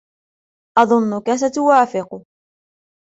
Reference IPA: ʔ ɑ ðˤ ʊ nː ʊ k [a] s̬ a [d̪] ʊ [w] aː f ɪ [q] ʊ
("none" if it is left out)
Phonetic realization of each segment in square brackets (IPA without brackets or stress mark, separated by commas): a, t̪, w, q